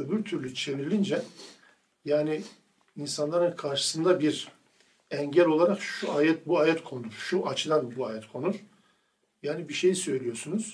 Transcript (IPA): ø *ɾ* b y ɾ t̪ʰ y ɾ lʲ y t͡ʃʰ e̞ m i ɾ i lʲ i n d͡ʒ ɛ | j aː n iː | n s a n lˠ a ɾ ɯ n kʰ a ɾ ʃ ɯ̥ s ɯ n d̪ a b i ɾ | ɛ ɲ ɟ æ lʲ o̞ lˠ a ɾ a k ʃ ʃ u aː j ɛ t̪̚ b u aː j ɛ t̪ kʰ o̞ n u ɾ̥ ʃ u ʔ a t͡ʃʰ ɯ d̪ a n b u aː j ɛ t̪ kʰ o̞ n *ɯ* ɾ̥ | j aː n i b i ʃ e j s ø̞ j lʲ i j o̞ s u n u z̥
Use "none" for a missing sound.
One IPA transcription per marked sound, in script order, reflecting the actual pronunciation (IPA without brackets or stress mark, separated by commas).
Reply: none, u